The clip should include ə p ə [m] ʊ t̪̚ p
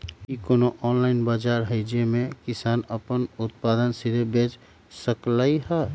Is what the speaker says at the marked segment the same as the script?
no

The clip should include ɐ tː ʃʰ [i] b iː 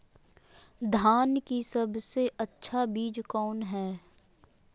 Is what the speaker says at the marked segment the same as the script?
no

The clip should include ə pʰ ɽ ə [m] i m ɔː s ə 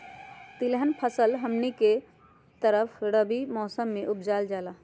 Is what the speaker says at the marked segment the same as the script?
no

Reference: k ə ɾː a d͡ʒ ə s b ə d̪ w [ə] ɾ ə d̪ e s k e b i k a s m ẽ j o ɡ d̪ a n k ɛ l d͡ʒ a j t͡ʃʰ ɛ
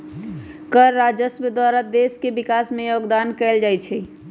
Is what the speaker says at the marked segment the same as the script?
no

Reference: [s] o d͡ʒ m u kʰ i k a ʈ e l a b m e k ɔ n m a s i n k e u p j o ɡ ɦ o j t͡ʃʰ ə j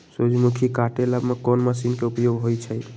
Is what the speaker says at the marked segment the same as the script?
yes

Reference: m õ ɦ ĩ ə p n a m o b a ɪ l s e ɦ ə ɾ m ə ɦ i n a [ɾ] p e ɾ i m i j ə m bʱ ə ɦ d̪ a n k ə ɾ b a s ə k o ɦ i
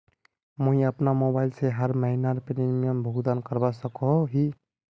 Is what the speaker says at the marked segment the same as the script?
yes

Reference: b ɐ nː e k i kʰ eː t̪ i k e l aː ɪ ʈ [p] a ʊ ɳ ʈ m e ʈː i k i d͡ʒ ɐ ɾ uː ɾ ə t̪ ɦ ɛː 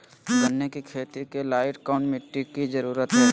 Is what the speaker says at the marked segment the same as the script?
no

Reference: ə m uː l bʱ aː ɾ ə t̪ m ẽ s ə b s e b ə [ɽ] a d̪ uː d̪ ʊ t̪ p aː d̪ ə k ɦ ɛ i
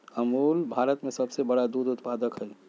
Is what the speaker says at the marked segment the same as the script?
yes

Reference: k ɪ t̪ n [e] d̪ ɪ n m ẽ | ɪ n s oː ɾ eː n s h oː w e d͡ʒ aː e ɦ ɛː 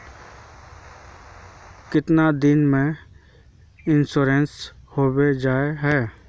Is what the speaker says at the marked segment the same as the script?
no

